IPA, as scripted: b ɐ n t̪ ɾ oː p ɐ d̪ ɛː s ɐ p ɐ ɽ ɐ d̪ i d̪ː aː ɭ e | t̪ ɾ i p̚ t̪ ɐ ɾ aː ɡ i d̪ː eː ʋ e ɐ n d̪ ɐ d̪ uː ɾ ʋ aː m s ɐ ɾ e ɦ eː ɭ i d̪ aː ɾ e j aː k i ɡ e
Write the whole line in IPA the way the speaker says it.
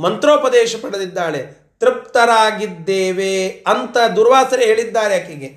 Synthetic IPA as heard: m ɐ n t̪ ɾ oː p ɐ d̪ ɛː ʃ ɐ p ɐ ɽ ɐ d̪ i d̪ː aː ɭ e | t̪ ɾ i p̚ t̪ ɐ ɾ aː ɡ i d̪ː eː ʋ e ɐ n t̪ ɐ d̪ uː ɾ ʋ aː s ɐ ɾ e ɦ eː ɭ i d̪ː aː ɾ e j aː k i ɡ e